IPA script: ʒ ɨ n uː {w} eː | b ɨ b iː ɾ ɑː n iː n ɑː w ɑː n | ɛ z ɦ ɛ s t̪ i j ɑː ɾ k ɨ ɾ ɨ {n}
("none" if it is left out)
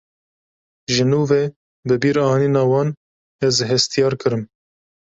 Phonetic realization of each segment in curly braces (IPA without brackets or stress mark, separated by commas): v, m